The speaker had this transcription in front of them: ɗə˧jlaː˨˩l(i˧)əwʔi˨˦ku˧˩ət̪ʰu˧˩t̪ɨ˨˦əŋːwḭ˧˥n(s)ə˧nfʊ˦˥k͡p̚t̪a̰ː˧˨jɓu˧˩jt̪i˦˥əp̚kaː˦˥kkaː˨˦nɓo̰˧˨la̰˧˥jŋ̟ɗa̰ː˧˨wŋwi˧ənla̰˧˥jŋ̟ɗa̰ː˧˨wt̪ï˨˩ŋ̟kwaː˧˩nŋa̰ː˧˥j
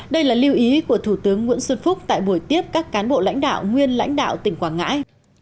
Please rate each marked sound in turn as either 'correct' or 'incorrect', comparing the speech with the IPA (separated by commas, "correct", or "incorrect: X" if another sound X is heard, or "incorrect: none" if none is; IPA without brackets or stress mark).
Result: correct, correct